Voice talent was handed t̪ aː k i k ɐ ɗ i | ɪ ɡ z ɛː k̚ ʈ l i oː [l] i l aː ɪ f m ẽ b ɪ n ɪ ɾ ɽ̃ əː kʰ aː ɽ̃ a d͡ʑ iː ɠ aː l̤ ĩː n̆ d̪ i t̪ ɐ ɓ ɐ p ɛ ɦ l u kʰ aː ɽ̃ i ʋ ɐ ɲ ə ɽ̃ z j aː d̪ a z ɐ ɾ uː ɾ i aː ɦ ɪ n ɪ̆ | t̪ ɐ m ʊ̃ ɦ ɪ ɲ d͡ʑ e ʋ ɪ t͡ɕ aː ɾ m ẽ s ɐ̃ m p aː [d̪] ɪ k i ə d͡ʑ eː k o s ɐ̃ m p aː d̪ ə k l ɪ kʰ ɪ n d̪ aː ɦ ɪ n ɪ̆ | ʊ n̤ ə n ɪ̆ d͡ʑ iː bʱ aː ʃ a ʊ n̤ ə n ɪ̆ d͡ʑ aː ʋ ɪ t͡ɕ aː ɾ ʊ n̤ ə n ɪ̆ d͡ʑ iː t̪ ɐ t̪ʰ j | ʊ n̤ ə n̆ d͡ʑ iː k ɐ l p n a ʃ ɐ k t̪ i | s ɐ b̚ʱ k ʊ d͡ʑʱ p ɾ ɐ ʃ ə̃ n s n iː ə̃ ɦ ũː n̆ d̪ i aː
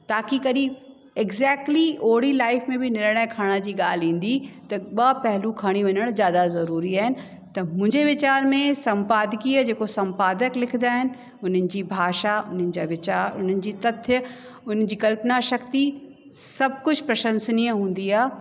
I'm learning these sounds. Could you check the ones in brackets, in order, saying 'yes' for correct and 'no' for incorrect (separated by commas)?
no, yes